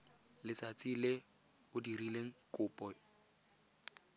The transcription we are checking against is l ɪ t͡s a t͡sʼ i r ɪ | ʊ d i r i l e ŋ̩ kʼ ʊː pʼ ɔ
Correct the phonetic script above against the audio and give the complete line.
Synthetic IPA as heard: l ɪ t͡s a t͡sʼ i l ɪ | ʊ d i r i l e ŋ̩ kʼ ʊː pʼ ɔ